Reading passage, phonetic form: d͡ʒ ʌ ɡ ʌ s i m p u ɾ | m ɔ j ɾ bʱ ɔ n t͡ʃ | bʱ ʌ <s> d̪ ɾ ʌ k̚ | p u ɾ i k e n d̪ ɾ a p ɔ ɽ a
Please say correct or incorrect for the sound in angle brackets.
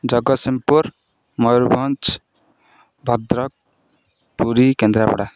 incorrect